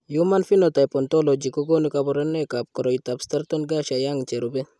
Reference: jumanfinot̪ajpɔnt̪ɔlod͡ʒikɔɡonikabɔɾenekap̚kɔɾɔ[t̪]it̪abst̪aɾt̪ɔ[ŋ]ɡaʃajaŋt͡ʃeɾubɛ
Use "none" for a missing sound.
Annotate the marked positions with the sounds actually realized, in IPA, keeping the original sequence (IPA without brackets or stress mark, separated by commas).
none, n